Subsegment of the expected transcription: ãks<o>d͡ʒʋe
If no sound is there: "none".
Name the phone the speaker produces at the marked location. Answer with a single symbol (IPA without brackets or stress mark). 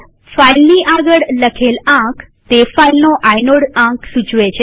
u